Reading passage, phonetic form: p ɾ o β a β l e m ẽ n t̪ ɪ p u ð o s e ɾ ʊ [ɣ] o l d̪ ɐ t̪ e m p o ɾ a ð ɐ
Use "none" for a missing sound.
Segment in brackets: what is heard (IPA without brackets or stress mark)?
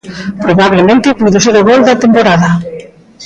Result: ɣ